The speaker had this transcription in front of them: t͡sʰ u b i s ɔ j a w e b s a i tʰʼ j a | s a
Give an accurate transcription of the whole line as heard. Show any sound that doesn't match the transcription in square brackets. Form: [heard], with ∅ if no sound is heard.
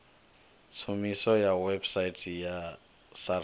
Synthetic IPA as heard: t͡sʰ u [m] i s ɔ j a w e b s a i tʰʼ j a | s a